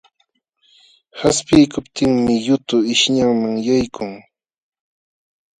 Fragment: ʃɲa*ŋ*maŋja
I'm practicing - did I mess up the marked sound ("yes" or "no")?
no